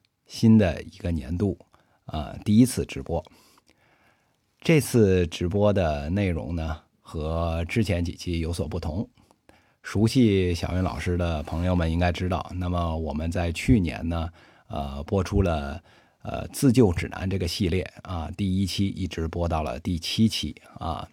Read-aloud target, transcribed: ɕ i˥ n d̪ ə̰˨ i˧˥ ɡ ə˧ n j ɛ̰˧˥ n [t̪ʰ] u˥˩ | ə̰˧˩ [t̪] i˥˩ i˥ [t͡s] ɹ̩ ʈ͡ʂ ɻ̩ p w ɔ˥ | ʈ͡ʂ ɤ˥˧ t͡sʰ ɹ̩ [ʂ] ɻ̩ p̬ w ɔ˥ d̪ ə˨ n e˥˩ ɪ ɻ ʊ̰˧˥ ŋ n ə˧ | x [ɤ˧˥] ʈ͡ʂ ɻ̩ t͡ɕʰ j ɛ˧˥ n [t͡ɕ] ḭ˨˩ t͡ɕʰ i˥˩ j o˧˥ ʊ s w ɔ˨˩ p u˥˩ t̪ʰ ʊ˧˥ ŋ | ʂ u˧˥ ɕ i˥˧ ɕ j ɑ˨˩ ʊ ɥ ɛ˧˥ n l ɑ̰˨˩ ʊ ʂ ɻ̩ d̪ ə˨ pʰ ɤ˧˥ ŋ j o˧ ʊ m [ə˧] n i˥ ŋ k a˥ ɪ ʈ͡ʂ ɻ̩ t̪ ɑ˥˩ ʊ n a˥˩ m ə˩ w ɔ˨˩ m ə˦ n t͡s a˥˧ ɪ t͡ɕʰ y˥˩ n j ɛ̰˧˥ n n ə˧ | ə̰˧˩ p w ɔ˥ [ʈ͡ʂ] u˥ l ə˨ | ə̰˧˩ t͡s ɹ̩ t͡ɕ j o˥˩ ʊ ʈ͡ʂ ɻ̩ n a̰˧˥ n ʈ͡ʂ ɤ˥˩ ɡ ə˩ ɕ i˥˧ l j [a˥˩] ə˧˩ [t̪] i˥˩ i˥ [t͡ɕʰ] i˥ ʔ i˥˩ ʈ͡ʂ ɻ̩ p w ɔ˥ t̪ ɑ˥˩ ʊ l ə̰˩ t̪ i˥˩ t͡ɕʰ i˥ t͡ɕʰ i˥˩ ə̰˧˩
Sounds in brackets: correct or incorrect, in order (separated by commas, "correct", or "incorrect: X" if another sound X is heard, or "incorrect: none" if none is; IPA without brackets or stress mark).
incorrect: t̪, correct, incorrect: t͡sʰ, incorrect: ʈ͡ʂ, correct, correct, incorrect: ə˩, incorrect: ʈ͡ʂʰ, incorrect: ɛ˥˩, correct, correct